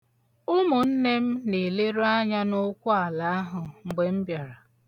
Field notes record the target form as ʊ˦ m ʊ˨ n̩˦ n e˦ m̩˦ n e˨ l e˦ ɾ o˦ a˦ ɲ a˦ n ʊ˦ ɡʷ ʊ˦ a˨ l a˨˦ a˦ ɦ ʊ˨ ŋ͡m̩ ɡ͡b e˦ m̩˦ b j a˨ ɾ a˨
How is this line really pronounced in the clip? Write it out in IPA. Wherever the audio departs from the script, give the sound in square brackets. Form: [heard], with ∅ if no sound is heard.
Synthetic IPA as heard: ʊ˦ m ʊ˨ n̩˦ n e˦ m̩˦ n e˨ l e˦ ɾ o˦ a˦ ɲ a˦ n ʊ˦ [kʷ] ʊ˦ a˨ l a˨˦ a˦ ɦ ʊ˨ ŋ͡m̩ ɡ͡b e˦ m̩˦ b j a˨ ɾ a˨